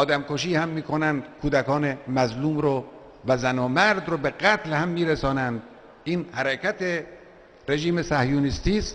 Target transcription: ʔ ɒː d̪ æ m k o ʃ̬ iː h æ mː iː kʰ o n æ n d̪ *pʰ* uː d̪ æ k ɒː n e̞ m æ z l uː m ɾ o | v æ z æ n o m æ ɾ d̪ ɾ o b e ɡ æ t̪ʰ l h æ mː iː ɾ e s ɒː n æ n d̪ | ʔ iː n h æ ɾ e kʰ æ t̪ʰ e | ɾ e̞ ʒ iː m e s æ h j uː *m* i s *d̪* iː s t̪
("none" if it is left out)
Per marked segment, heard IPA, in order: kʰ, n, t̪

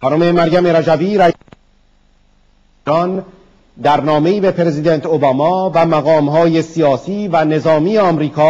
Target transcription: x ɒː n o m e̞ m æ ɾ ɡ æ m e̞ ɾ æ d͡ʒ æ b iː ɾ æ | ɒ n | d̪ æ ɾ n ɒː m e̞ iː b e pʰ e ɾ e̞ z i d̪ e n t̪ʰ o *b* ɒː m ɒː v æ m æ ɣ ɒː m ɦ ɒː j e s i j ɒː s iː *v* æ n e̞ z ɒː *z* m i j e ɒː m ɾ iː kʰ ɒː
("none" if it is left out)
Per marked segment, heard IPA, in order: b, v, none

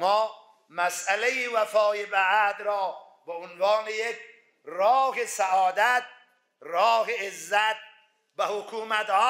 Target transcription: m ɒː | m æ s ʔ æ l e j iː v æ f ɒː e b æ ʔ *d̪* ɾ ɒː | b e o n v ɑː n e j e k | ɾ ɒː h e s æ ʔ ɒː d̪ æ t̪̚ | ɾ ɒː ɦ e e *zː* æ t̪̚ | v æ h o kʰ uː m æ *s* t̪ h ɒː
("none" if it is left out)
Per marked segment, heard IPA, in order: d̪, zː, none

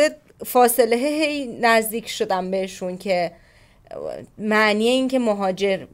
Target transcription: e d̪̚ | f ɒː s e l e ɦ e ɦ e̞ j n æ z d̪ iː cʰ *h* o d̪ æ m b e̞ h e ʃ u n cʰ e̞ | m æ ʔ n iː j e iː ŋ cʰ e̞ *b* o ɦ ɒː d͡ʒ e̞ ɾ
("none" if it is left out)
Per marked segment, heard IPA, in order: ʃ, m

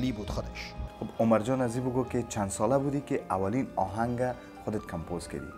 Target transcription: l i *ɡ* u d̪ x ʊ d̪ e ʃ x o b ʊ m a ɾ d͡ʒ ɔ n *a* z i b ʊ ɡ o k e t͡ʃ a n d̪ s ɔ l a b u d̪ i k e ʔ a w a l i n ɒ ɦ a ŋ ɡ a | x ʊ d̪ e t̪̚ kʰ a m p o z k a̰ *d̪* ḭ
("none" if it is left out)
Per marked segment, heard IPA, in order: b, a, d̪

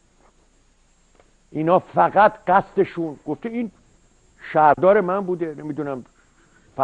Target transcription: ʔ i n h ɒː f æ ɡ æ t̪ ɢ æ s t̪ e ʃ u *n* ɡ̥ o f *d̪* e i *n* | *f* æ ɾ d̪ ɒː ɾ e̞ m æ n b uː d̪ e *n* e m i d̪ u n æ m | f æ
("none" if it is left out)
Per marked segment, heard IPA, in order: n, t̪, n, ʃ, n

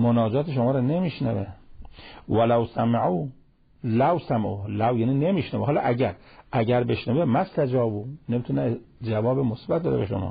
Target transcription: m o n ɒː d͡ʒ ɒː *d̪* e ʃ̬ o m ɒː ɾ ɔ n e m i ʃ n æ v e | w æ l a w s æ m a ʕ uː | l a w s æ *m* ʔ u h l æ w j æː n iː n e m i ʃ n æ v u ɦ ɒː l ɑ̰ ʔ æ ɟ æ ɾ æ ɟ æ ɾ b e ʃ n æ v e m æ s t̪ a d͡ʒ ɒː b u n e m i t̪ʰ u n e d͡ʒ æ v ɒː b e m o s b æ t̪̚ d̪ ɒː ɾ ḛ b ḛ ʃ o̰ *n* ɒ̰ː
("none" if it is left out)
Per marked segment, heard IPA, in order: t̪, m, m

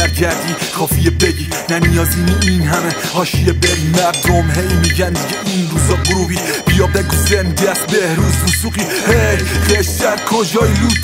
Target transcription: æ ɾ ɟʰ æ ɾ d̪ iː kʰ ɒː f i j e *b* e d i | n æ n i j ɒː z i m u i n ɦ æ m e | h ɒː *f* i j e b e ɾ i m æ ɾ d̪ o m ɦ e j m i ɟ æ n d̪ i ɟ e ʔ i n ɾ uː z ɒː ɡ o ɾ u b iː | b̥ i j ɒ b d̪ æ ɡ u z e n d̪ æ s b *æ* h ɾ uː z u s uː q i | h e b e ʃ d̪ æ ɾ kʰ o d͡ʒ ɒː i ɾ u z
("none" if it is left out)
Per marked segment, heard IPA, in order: b, ʃ, e

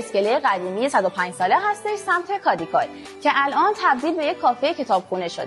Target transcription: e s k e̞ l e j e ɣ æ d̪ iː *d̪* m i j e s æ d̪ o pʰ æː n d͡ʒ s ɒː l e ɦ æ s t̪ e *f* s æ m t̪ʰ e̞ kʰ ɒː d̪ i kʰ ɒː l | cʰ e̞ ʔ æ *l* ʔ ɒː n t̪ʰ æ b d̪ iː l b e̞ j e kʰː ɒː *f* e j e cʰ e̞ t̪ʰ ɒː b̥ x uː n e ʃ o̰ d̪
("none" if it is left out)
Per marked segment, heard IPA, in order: none, ʃ, l, f

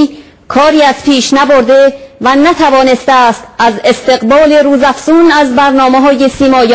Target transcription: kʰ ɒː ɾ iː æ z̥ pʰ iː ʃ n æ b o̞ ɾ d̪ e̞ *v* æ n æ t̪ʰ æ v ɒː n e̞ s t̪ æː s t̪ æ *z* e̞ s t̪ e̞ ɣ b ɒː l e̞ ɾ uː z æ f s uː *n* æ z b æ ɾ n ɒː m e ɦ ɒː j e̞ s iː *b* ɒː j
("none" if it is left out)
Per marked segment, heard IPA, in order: v, z, n, m

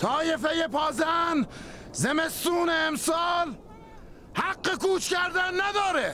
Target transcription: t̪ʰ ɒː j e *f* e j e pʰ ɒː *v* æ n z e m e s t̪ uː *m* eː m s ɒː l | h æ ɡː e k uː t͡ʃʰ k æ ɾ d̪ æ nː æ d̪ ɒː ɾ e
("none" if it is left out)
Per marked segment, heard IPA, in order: f, z, n

